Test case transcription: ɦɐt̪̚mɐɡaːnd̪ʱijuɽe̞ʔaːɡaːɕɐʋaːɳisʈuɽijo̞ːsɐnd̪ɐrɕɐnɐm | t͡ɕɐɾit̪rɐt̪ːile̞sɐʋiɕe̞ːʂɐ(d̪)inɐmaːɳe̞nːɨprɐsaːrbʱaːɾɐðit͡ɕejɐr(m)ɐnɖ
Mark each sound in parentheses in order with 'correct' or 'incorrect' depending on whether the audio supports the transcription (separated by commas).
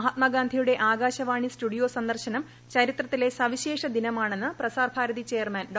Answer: correct, correct